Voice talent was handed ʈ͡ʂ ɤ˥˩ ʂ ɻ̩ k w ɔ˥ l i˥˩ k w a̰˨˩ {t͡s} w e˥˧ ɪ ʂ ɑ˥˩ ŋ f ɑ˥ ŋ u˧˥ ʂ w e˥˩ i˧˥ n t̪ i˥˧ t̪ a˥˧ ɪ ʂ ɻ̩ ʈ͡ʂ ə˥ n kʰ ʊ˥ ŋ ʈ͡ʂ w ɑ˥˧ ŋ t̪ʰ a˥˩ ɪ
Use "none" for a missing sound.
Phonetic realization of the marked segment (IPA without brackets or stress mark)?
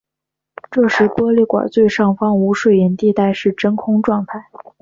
t͡s